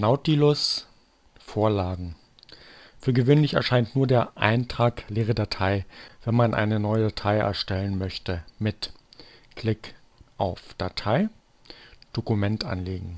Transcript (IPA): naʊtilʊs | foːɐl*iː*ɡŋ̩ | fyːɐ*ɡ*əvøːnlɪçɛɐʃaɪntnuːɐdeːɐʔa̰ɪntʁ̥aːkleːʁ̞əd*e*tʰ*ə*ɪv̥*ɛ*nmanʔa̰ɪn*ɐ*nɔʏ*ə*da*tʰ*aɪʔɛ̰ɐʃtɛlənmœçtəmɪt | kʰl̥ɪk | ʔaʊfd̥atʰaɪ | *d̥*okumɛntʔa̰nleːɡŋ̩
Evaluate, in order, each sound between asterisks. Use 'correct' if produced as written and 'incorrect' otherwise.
incorrect: aː, correct, incorrect: a, incorrect: a, correct, incorrect: ə, correct, correct, correct

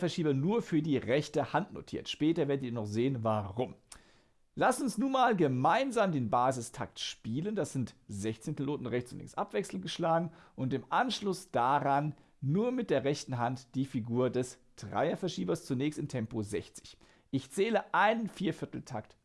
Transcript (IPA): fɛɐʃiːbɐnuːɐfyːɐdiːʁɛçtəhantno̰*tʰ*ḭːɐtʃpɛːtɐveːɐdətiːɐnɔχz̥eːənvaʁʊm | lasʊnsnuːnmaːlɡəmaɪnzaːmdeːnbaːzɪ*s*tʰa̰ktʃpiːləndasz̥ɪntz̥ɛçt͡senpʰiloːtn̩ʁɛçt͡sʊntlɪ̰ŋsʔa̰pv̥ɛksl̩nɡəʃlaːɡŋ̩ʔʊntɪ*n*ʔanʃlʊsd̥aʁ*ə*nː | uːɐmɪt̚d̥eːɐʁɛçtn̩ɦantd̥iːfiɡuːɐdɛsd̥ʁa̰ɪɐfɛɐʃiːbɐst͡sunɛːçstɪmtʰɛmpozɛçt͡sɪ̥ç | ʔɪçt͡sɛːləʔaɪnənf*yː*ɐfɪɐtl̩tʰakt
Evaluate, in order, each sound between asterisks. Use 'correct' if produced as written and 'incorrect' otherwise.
correct, correct, incorrect: m, incorrect: a, incorrect: iː

